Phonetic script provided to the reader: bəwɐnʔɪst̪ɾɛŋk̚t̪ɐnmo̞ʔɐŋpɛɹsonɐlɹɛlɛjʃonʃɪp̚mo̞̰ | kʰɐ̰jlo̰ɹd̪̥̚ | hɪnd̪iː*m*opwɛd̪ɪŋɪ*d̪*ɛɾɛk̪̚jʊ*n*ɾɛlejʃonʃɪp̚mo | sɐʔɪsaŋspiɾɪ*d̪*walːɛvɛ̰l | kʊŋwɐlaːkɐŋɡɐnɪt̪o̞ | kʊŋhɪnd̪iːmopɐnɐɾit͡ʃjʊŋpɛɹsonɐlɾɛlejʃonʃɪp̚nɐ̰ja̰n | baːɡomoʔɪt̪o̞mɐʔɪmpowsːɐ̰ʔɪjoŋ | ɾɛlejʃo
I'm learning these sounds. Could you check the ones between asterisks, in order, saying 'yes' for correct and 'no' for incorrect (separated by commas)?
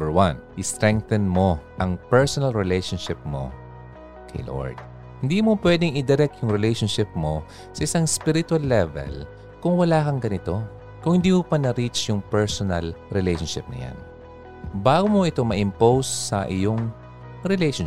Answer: yes, yes, no, no